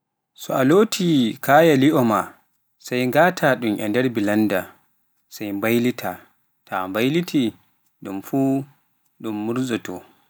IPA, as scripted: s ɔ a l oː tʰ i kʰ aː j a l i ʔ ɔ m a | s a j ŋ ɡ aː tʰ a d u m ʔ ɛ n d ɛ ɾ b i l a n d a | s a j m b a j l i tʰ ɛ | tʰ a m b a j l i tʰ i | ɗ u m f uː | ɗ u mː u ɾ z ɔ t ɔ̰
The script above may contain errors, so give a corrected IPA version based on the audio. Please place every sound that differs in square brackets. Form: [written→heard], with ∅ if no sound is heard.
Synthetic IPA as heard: s ɔ a l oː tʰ i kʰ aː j a l i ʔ ɔ m a | s a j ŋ ɡ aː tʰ a [d→ɗ] u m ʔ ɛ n d ɛ ɾ b i l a n d a | s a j m b a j l i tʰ [ɛ→a] | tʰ a m b a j l i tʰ i | ɗ u m f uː | ɗ u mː u ɾ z ɔ t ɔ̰

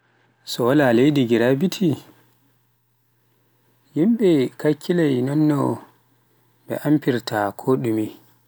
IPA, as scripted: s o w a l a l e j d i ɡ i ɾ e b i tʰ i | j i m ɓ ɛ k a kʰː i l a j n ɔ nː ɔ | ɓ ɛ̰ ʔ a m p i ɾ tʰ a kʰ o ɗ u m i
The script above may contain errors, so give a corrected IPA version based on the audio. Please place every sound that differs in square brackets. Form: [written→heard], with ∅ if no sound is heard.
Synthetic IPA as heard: s [o→ɔ] w a l a l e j d i ɡ i ɾ [e→a] b i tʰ i | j i m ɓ ɛ k a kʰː i l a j n ɔ nː ɔ | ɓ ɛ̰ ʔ a m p i ɾ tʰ a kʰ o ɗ u m i

